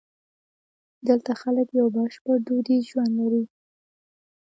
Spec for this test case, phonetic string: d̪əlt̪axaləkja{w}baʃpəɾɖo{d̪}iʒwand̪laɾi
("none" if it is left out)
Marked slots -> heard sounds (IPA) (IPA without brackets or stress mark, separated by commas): w, d̪